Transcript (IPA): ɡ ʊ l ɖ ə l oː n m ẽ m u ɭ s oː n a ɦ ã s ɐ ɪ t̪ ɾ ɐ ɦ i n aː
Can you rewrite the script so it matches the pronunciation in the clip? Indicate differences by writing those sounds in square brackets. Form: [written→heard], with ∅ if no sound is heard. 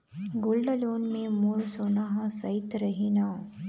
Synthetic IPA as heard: ɡ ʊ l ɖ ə l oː n m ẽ m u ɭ s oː n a ɦ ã s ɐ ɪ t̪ ɾ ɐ ɦ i n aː